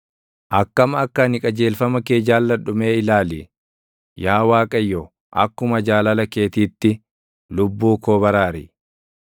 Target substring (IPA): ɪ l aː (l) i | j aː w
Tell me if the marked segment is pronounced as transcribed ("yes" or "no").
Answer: yes